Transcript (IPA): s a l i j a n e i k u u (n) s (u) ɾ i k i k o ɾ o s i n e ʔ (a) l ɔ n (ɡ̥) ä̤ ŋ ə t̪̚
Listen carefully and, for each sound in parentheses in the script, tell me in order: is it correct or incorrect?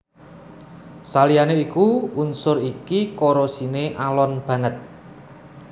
correct, incorrect: ʊ, correct, incorrect: b̥

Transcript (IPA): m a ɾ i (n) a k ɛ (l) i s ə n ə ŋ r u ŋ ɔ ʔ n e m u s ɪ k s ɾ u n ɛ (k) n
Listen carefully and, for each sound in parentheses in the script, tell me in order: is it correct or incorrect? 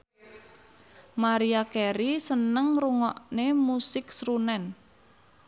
incorrect: none, incorrect: ɾ, incorrect: none

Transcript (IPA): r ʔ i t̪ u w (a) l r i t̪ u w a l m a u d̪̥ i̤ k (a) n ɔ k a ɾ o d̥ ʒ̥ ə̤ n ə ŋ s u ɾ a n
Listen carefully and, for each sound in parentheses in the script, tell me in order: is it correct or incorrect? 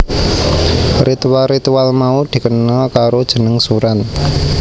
correct, incorrect: ə

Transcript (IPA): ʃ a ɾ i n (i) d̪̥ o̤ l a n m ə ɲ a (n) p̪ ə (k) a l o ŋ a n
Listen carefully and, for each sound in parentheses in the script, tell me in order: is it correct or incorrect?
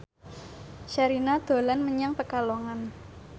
incorrect: a, incorrect: ŋ, correct

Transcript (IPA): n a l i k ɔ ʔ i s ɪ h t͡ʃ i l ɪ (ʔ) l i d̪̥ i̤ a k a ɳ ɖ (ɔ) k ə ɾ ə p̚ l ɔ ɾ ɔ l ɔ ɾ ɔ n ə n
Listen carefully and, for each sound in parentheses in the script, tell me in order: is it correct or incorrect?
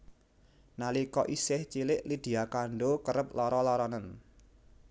correct, incorrect: o

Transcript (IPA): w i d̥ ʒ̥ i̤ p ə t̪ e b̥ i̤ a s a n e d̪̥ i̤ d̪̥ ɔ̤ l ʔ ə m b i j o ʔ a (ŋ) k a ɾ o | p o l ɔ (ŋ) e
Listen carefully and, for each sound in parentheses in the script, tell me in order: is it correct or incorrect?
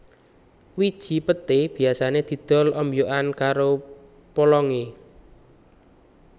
incorrect: n, correct

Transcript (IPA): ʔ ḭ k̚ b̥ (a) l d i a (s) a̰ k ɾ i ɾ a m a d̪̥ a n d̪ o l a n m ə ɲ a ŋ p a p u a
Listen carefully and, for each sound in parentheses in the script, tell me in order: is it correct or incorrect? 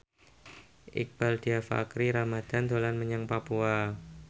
correct, incorrect: f

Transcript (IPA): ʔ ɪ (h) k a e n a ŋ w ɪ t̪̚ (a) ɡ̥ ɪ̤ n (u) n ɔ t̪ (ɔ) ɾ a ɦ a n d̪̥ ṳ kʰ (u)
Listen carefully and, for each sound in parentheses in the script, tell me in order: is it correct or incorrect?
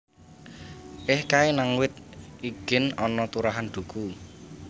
correct, incorrect: i, incorrect: ɔ, incorrect: u, correct

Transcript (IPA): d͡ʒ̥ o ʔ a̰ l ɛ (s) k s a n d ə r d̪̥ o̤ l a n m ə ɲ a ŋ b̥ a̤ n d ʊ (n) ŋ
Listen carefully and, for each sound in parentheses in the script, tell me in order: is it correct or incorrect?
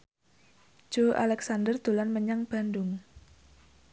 incorrect: none, incorrect: none

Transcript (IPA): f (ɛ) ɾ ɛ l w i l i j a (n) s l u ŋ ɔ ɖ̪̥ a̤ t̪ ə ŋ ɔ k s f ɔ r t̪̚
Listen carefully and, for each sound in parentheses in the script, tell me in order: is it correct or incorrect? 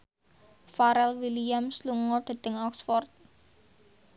incorrect: a, incorrect: m

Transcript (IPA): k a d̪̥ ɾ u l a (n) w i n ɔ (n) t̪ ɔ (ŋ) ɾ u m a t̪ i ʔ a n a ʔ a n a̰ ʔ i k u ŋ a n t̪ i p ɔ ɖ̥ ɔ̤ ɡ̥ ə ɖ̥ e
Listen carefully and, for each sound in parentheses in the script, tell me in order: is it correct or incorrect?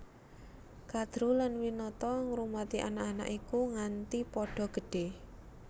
correct, incorrect: none, correct

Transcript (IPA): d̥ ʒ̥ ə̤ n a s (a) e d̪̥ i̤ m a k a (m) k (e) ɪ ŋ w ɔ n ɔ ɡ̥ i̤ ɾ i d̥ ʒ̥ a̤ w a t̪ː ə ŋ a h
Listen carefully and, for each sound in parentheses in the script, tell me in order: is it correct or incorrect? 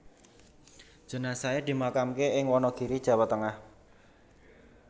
correct, correct, correct

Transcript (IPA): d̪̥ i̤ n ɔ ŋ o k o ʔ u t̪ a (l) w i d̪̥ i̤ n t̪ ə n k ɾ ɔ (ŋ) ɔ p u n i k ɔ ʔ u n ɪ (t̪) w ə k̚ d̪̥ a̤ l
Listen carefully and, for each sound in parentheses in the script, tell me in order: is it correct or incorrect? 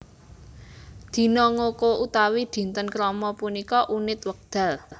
incorrect: none, incorrect: m, correct

